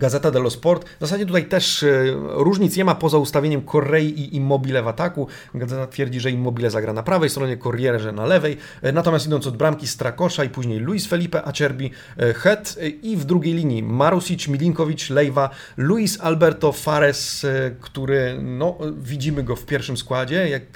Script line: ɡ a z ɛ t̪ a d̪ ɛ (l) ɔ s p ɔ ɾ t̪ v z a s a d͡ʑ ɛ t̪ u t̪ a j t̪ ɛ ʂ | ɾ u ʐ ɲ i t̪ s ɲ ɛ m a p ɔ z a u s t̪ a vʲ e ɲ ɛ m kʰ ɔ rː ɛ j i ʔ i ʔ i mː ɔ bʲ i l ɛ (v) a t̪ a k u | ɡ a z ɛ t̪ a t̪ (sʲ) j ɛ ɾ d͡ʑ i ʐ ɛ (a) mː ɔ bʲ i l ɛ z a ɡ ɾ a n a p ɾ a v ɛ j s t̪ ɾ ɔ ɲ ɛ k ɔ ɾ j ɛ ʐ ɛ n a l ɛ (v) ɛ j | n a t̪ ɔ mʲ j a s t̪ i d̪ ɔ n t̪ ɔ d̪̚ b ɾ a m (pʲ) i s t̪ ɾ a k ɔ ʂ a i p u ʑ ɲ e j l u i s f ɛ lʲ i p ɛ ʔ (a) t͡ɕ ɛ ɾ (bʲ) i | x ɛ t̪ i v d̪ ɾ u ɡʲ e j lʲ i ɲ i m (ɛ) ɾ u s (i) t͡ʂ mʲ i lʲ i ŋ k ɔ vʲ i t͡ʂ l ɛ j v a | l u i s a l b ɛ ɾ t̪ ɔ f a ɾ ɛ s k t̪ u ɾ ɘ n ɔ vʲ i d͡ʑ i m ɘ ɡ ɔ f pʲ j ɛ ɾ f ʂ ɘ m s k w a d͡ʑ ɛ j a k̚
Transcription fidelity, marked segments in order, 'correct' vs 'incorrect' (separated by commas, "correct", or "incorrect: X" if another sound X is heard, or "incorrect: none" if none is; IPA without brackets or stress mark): correct, correct, incorrect: fʲ, incorrect: i, correct, incorrect: kʲ, correct, correct, incorrect: a, correct